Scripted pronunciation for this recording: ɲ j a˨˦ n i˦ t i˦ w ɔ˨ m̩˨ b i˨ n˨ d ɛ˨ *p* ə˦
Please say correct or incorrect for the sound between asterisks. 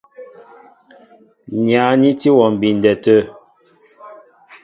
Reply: incorrect